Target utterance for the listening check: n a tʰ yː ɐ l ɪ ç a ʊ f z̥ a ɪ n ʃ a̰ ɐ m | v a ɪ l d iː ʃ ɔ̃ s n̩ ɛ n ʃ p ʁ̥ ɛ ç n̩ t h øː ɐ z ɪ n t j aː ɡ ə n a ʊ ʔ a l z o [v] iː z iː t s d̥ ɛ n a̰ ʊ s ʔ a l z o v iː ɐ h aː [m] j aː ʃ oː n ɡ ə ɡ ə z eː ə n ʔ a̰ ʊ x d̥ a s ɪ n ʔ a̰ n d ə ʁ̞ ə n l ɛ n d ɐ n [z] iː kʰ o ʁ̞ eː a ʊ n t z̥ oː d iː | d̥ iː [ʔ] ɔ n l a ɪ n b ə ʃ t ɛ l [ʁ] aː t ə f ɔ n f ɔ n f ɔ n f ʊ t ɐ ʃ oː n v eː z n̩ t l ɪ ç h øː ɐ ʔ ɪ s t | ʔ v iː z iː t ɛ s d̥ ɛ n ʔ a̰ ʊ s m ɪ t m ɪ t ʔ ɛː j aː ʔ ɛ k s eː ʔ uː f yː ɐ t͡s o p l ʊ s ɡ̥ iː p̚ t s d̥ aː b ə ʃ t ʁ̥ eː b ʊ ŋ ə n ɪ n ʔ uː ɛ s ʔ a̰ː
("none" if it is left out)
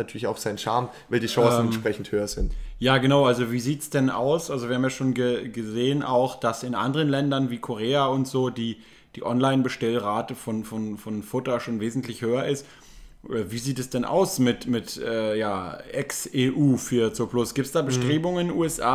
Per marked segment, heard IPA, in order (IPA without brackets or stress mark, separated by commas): v, m, v, ʔ, ʁ